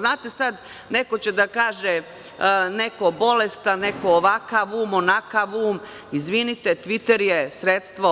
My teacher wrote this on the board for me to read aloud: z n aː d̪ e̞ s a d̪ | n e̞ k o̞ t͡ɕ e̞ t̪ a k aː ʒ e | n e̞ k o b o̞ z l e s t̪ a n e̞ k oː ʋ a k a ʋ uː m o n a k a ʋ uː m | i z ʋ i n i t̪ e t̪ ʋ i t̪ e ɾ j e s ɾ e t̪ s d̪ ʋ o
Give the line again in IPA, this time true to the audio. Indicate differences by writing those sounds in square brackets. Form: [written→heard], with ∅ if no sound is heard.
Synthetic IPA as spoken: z n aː [d̪→t̪] e̞ s a d̪ | n e̞ k o̞ t͡ɕ e̞ [t̪→d̪] a k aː ʒ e | n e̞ k o b o̞ [z→∅] l e s t̪ a n e̞ k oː ʋ a k a ʋ uː m o n a k a ʋ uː m | i z ʋ i n i t̪ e t̪ ʋ i t̪ e ɾ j e s ɾ e t̪ s [d̪→t̪] ʋ o

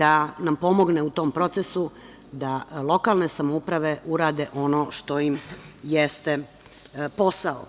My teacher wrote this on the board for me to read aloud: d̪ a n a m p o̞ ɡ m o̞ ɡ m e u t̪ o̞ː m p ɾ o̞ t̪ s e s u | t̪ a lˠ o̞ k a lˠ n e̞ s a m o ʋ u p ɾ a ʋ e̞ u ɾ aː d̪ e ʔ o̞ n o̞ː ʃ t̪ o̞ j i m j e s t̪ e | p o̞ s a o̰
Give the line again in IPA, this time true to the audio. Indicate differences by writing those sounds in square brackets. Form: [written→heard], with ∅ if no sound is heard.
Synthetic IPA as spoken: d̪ a n a m p o̞ [ɡ→∅] m o̞ ɡ [m→n] e u t̪ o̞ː m p ɾ o̞ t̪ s e s u | [t̪→d̪] a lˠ o̞ k a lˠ n e̞ s a m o [ʋ→∅] u p ɾ a ʋ e̞ u ɾ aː d̪ e ʔ o̞ n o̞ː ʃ t̪ o̞ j i m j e s t̪ e | p o̞ s a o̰

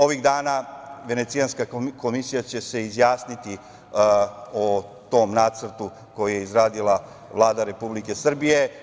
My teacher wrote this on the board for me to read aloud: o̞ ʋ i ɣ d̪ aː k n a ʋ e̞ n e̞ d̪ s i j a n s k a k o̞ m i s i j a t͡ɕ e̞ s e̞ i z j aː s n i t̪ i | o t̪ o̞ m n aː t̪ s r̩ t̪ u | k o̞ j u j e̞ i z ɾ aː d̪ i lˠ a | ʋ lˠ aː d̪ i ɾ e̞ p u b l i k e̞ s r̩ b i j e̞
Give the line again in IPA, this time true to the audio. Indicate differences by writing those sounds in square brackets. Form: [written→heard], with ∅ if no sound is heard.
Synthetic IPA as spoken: o̞ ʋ i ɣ d̪ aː [k→∅] n a ʋ e̞ n e̞ [d̪→t̪] s i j a n s k a k o̞ m i s i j a t͡ɕ e̞ s e̞ i z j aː s n i t̪ i | o t̪ o̞ m n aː t̪ s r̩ t̪ u | k o̞ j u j e̞ i z ɾ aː d̪ i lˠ a | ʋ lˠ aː d̪ [i→a] ɾ e̞ p u b l i k e̞ s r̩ b i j e̞

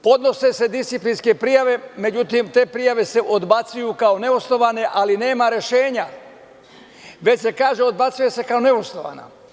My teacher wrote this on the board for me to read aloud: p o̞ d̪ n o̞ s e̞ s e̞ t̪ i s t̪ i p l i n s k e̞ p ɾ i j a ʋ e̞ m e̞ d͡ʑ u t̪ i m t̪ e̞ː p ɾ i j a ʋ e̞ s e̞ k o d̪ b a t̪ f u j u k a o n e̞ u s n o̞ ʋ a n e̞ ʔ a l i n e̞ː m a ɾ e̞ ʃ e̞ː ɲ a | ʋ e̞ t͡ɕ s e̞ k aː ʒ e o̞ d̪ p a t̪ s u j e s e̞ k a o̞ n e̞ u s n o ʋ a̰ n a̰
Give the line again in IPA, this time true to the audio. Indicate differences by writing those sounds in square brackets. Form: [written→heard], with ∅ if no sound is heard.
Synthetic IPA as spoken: p o̞ d̪ n o̞ s e̞ s e̞ [t̪→d̪] i s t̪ i p l i n s k e̞ p ɾ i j a ʋ e̞ m e̞ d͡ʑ u t̪ i m t̪ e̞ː p ɾ i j a ʋ e̞ s e̞ [k→ʔ] o d̪ b a t̪ [f→s] u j u k a o n e̞ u s n o̞ ʋ a n e̞ ʔ a l i n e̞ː m a ɾ e̞ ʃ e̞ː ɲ a | ʋ e̞ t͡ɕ s e̞ k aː ʒ e o̞ d̪ [p→b] a t̪ s u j e s e̞ k a o̞ n e̞ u s n o ʋ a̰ n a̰

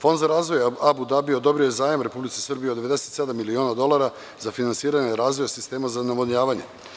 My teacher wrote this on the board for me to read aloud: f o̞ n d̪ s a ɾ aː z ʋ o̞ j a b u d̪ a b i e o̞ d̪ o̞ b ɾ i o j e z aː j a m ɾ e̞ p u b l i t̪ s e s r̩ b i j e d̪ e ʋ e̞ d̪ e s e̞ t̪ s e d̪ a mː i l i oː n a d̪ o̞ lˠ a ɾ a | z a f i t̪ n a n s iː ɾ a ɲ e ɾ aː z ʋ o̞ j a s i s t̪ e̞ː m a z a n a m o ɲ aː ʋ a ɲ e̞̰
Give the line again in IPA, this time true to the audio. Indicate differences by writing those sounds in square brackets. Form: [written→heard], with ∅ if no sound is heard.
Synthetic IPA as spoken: f o̞ n d̪ [s→z] a ɾ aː z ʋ o̞ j a b u d̪ a b i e o̞ d̪ o̞ b ɾ i o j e z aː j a m ɾ e̞ p u b l i t̪ s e s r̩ b i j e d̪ e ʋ e̞ d̪ e s e̞ t̪ s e d̪ a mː i l i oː n a d̪ o̞ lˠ a ɾ a | z a f i [t̪→∅] n a n s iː ɾ a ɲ e ɾ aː z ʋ o̞ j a s i s t̪ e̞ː m a z a n a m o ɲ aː ʋ a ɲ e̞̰

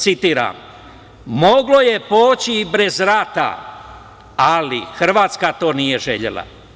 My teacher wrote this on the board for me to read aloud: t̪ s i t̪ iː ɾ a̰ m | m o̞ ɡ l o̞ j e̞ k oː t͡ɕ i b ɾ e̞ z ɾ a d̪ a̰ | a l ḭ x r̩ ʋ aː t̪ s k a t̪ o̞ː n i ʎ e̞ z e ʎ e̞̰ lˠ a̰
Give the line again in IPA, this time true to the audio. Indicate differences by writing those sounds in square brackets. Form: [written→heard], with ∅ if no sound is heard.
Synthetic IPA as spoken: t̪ s i t̪ iː ɾ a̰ m | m o̞ ɡ l o̞ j e̞ [k→p] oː t͡ɕ i b ɾ e̞ z ɾ a [d̪→t̪] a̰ | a l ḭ x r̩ ʋ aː t̪ s k a t̪ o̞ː n i [ʎ→j] e̞ [z→ʒ] e ʎ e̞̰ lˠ a̰

